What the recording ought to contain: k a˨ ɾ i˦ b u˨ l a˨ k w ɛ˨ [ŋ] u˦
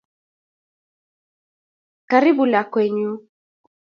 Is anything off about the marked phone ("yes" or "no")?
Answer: yes